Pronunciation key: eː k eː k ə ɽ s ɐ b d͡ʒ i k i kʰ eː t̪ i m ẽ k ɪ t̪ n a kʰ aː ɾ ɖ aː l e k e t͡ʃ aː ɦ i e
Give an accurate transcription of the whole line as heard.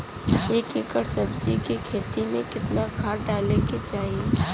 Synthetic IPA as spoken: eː k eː k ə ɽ s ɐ b d͡ʒ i k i kʰ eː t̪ i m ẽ k ɪ t̪ n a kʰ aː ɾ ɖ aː l e k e t͡ʃ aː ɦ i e